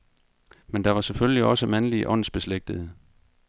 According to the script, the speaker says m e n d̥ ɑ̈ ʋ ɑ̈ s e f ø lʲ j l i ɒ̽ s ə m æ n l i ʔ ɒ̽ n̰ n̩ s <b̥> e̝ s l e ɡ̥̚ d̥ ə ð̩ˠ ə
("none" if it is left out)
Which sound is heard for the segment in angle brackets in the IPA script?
b̥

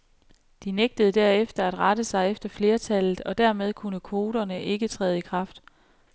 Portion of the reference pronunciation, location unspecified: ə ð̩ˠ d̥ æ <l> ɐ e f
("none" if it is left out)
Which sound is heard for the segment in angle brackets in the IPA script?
none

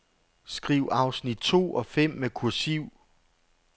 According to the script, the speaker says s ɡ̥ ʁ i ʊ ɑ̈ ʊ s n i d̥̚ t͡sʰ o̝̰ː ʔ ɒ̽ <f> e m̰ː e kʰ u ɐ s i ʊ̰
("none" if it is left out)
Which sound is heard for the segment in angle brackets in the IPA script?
f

